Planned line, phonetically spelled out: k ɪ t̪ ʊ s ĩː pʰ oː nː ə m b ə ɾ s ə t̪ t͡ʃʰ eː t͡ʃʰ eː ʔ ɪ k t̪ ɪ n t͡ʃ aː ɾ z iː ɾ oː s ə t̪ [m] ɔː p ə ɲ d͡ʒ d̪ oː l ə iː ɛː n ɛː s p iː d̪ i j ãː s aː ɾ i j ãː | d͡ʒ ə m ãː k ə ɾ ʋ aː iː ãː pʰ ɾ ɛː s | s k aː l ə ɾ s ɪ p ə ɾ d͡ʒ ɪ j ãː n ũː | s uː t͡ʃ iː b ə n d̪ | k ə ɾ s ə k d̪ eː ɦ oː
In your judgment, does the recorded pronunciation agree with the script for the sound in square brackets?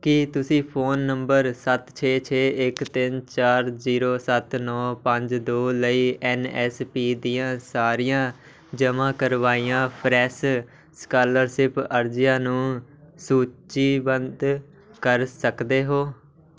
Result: no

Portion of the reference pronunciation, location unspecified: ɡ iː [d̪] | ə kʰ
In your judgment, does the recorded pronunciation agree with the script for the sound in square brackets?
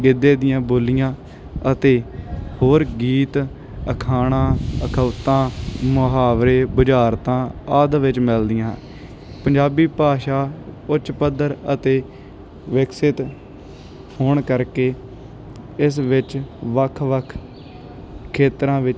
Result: no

